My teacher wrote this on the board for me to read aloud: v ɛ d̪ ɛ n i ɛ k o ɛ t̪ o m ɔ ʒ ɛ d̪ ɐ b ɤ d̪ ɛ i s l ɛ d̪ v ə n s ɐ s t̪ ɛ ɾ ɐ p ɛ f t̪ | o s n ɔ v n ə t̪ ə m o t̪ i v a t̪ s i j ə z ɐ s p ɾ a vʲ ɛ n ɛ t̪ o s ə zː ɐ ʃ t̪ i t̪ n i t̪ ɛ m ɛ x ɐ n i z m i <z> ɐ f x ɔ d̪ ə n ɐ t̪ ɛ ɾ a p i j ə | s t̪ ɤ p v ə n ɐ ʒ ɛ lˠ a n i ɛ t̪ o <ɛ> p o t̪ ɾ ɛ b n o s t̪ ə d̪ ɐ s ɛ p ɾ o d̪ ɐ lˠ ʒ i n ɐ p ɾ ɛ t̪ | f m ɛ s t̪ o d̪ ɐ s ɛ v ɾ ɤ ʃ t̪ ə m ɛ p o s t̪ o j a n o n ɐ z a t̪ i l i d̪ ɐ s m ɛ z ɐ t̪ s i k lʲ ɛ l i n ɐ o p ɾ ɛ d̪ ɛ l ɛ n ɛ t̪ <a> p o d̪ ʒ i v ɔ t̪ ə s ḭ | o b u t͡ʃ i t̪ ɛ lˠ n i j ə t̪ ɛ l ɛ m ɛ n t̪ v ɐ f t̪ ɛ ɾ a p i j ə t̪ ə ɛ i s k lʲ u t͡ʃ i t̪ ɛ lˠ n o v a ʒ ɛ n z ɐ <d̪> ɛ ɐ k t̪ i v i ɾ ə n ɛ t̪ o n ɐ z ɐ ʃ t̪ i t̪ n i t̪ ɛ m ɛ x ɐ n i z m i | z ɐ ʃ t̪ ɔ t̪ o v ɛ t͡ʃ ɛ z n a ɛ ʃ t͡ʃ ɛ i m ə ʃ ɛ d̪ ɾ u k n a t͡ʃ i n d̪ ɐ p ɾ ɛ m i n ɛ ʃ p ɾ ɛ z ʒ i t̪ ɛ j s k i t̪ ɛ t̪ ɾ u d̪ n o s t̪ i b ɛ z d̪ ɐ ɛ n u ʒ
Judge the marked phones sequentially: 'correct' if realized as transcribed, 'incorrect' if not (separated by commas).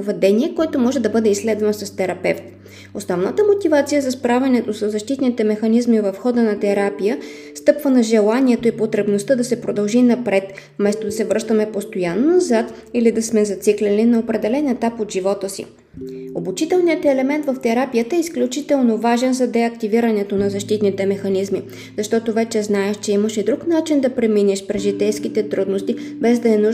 incorrect, incorrect, correct, correct